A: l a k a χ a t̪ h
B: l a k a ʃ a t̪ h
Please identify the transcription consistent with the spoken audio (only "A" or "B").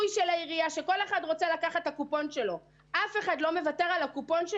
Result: A